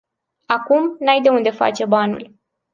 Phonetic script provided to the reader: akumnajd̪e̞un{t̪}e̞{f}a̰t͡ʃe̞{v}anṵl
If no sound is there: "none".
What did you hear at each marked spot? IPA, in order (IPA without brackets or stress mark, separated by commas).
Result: d̪, f, b